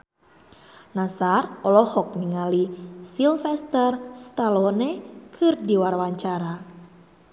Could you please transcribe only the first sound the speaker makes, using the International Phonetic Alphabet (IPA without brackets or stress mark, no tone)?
n